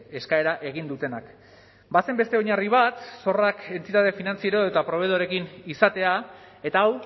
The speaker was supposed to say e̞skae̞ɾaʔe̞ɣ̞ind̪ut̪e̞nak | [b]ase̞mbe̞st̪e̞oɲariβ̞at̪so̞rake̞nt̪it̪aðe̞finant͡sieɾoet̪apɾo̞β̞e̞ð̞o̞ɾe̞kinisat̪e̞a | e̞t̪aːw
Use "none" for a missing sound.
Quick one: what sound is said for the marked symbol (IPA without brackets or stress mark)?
b